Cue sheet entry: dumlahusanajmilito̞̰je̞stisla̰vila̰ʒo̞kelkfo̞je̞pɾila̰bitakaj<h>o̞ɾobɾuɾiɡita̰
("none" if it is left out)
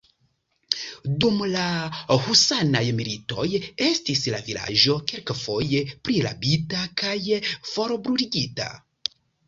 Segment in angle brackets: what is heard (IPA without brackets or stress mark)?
f